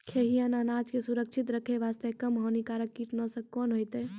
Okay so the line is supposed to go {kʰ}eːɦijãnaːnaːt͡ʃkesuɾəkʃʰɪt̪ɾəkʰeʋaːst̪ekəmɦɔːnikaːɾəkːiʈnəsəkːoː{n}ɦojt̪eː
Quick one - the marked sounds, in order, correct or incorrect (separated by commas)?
correct, correct